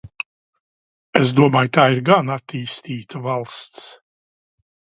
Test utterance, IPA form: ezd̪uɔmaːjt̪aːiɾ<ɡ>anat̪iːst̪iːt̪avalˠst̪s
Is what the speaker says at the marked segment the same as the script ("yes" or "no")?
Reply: yes